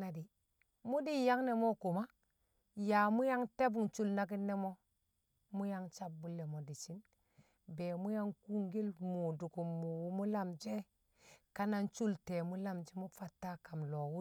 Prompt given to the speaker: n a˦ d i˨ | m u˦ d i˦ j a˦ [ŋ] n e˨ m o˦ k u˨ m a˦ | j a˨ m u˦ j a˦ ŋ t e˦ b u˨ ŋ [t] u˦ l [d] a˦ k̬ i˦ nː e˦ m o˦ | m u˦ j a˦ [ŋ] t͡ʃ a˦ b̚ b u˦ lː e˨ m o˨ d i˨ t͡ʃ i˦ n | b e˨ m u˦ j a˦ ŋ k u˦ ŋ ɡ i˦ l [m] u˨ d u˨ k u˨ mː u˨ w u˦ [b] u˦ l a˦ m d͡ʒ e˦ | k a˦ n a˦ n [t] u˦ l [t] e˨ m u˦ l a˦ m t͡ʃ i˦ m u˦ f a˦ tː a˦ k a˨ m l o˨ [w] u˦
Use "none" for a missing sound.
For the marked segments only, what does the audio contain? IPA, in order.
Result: ŋ, t͡ʃ, n, ŋ, m, m, t͡ʃ, t, w

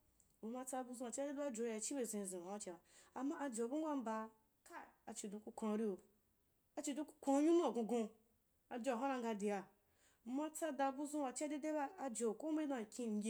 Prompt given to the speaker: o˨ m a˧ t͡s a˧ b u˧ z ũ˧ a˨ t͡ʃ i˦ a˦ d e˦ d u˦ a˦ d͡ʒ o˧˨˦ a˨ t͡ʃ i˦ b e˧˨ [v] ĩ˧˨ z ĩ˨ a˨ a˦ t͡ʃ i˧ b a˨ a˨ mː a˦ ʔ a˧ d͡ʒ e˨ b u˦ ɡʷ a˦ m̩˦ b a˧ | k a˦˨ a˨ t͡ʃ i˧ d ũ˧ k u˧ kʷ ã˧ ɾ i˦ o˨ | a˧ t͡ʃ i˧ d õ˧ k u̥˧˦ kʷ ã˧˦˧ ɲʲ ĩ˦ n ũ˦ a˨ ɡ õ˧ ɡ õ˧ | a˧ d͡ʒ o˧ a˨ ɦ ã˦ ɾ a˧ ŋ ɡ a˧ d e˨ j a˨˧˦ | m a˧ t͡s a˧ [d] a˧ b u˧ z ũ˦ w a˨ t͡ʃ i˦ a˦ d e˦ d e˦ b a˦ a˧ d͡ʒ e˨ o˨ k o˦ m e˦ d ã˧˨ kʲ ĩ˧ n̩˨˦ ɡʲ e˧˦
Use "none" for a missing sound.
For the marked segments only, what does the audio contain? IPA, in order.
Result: z, d

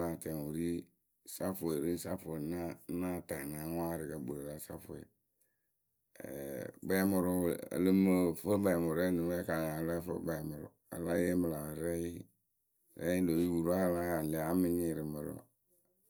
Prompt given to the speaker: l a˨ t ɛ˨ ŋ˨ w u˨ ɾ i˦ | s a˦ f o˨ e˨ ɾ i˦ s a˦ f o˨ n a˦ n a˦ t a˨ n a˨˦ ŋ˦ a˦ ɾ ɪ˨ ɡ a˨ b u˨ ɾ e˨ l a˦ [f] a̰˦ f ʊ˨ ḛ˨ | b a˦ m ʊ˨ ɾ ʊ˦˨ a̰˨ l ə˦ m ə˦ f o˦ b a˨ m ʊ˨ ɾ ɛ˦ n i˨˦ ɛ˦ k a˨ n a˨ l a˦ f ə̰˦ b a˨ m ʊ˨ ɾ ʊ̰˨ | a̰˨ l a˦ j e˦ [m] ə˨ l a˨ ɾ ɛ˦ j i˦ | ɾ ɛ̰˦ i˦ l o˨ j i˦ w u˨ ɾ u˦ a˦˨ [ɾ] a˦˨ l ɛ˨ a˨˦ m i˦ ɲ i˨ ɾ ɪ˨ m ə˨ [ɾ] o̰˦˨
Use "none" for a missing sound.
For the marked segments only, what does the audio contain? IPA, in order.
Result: s, m, l, ɾ

